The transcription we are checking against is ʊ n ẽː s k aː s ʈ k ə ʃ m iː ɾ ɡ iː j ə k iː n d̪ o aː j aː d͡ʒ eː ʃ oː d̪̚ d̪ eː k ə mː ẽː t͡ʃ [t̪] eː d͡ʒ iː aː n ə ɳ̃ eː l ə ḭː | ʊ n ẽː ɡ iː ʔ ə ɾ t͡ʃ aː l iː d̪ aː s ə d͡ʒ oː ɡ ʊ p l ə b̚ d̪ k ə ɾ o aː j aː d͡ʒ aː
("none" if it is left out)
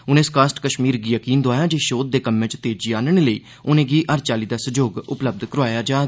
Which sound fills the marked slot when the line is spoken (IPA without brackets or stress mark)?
t̪